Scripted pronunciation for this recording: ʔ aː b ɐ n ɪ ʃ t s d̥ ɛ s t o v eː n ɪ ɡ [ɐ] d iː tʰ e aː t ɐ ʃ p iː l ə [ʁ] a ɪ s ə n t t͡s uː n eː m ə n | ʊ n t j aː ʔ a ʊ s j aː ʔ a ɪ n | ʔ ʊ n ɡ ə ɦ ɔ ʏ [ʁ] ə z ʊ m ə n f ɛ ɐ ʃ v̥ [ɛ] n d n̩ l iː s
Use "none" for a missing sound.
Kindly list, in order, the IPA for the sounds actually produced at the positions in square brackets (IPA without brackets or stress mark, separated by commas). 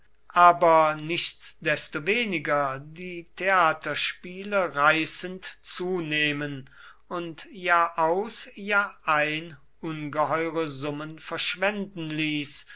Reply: ɐ, ʁ, ʁ, ɛ